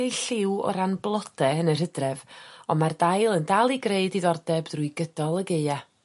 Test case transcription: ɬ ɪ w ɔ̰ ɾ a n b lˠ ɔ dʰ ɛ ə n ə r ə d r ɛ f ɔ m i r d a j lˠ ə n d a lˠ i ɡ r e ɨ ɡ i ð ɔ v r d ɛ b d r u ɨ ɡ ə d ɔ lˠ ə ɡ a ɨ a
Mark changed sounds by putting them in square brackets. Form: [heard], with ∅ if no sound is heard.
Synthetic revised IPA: ɬ ɪ w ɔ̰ ɾ a n b lˠ ɔ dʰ ɛ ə n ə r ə d r ɛ [v] ɔ m [a] r d a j lˠ ə n d a lˠ i ɡ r e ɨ [d] i ð ɔ [∅] r d ɛ b d r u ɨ ɡ ə d ɔ lˠ ə ɡ [e] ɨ a